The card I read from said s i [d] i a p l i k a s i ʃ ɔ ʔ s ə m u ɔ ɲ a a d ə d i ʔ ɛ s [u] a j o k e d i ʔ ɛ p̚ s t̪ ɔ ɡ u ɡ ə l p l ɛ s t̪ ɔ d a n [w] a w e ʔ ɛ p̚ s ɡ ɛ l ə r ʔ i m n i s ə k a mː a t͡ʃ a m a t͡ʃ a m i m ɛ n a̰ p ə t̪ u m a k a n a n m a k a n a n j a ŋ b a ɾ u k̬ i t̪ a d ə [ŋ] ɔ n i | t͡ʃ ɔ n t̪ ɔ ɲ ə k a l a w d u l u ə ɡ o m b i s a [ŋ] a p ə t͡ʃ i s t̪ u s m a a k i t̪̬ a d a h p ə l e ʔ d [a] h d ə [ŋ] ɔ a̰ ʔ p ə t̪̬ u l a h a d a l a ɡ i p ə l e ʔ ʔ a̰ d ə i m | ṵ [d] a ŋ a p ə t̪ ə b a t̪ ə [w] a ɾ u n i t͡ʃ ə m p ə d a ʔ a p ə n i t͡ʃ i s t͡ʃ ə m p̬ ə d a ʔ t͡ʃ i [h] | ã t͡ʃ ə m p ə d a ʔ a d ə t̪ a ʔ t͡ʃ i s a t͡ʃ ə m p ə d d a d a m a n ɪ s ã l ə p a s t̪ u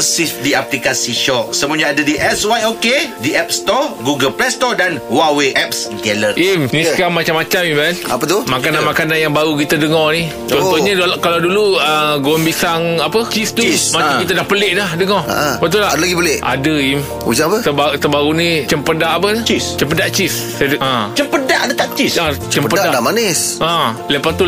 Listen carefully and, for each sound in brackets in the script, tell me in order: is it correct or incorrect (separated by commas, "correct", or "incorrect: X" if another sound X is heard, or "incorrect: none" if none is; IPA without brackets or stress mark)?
correct, incorrect: w, correct, correct, correct, correct, correct, incorrect: d͡ʒ, incorrect: b, incorrect: s